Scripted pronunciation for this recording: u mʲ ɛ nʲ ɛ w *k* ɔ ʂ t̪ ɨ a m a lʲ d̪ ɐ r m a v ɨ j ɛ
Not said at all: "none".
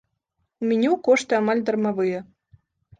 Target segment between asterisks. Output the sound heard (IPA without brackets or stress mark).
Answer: k